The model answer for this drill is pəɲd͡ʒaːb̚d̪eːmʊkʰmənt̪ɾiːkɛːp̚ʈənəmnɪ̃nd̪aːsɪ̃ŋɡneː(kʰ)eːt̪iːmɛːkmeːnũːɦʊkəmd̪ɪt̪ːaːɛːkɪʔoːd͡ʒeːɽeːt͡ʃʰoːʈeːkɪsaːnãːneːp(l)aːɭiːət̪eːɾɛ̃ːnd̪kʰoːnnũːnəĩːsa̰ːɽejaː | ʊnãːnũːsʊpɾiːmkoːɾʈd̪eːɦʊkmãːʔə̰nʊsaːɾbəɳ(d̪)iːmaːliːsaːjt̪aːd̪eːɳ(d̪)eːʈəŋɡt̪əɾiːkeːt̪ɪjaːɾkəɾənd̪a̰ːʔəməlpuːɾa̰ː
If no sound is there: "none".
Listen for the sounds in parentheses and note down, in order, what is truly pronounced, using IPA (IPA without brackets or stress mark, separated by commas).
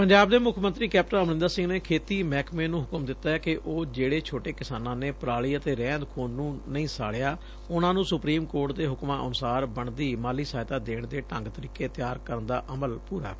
kʰ, ɾ, d̪, d̪